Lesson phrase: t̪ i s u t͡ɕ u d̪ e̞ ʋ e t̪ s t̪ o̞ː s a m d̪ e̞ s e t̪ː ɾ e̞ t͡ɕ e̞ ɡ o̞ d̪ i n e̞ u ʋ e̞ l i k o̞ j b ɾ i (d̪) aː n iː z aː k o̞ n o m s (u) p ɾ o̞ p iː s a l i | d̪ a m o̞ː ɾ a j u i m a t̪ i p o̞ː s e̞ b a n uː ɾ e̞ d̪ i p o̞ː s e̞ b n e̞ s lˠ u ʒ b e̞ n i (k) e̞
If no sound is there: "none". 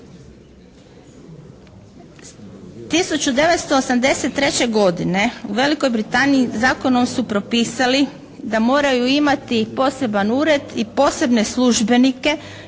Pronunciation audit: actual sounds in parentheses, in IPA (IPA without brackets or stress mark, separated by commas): t̪, u, k